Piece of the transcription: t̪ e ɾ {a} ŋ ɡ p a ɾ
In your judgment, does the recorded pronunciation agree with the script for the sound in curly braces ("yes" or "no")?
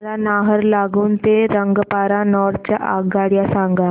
no